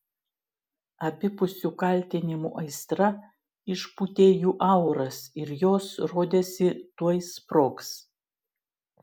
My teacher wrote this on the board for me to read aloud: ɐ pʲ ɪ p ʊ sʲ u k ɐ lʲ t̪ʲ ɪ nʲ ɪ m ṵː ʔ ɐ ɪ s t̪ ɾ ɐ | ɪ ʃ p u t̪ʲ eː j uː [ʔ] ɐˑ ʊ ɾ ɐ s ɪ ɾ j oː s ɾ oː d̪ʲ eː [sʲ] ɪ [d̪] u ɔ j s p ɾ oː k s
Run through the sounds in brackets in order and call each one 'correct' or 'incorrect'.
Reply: correct, correct, incorrect: t̪

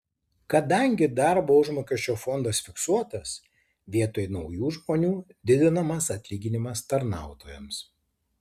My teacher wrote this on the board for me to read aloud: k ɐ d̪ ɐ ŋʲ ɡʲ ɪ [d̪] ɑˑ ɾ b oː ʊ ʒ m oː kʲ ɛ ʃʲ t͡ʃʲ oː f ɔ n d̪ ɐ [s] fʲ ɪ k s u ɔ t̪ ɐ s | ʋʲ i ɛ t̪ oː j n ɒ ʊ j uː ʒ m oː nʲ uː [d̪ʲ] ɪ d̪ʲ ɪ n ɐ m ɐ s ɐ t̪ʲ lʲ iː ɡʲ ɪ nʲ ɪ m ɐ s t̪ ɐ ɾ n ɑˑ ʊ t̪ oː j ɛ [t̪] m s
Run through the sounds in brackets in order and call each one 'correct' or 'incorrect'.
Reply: correct, correct, correct, incorrect: none

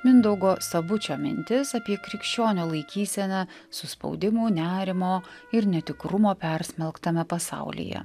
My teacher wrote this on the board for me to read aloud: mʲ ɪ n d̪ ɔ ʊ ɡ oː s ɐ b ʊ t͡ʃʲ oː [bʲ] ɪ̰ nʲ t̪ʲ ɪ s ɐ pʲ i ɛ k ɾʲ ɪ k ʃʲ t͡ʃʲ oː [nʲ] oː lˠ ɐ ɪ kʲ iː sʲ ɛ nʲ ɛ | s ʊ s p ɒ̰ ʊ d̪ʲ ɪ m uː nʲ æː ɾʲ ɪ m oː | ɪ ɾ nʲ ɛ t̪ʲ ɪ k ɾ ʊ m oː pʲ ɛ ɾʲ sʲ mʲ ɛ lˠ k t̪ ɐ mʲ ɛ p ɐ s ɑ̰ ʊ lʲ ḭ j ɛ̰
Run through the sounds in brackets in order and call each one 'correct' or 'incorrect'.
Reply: incorrect: mʲ, correct

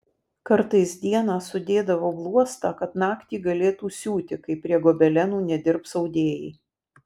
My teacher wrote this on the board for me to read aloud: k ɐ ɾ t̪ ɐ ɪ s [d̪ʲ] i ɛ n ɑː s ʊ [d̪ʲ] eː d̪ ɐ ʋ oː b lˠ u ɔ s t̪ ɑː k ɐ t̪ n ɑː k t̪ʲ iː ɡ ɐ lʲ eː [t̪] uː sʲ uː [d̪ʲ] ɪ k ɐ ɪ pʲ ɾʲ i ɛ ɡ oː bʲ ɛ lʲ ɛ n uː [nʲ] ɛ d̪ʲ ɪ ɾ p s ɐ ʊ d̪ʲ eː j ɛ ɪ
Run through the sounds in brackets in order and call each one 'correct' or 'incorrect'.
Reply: correct, correct, correct, incorrect: t̪ʲ, correct

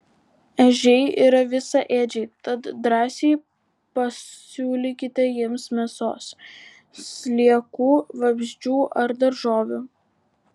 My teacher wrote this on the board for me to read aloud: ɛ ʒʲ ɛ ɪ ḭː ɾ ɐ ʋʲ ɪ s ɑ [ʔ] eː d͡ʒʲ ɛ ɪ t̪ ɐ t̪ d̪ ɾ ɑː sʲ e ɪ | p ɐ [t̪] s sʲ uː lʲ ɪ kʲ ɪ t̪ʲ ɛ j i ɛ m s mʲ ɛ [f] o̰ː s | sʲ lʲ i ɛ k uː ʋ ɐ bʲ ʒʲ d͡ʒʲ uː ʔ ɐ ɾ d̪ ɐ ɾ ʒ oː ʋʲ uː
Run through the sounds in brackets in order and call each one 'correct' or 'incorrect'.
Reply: correct, incorrect: none, incorrect: s

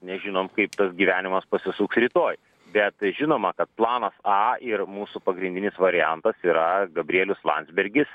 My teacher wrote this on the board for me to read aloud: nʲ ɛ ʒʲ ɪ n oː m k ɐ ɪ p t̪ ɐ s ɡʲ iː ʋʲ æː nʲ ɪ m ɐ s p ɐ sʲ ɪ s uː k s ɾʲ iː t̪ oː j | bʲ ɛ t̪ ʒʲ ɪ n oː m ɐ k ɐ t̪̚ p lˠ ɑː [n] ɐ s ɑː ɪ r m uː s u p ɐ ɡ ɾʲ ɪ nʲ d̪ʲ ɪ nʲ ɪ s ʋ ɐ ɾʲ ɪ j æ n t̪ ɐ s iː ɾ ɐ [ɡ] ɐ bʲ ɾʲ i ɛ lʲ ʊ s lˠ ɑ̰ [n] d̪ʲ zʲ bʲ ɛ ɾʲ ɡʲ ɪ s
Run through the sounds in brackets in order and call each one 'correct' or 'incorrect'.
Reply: correct, correct, correct

